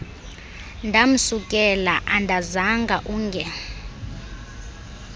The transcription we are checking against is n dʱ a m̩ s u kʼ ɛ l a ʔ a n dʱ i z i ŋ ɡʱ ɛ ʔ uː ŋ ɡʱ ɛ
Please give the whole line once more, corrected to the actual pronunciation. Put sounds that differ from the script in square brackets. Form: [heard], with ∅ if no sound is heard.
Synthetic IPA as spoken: n dʱ a m̩ s u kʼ ɛ l a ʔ a n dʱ [a] z [a] ŋ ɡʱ [a] ʔ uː ŋ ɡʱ ɛ